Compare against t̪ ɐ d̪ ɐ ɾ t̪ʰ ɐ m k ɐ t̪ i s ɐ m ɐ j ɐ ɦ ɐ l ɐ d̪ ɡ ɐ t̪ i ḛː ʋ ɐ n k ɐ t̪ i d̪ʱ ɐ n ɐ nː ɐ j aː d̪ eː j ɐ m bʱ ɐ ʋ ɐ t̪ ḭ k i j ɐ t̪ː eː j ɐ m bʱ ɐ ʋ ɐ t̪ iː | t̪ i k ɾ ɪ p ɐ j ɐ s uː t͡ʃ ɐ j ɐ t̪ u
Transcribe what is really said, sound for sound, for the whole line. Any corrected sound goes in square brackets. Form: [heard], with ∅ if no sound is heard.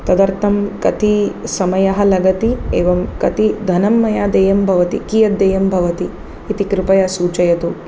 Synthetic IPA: t̪ ɐ d̪ ɐ ɾ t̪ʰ ɐ m k ɐ t̪ i s ɐ m ɐ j ɐ ɦ ɐ l ɐ [∅] ɡ ɐ t̪ i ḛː ʋ ɐ [m] k ɐ t̪ i d̪ʱ ɐ n ɐ [mː] ɐ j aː d̪ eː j ɐ m bʱ ɐ ʋ ɐ t̪ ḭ k i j ɐ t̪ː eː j ɐ m bʱ ɐ ʋ ɐ t̪ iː | t̪ i k ɾ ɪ p ɐ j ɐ s uː t͡ʃ ɐ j ɐ t̪ u